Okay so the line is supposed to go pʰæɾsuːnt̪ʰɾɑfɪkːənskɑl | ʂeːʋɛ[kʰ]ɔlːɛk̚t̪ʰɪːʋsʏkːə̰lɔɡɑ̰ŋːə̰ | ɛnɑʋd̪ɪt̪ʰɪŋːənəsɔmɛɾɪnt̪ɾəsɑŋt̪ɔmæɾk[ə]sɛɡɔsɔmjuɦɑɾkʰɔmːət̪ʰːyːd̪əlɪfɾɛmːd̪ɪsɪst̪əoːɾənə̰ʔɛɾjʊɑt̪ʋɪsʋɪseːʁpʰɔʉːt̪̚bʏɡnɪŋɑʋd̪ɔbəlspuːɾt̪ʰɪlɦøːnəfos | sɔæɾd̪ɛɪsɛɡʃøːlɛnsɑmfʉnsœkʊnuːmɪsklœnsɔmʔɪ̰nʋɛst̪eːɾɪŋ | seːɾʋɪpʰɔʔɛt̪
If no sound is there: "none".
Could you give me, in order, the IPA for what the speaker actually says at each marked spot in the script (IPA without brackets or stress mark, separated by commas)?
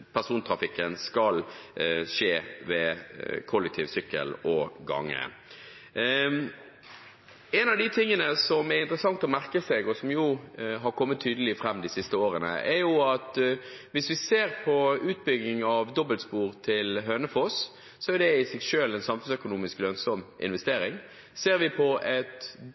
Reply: kʰ, ə